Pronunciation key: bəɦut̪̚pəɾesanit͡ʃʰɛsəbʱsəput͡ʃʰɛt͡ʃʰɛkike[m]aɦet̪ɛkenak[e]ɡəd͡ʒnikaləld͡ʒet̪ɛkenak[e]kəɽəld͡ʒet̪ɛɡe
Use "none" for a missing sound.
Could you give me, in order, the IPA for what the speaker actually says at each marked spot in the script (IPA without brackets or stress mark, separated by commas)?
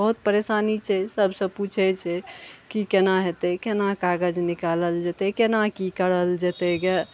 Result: n, a, i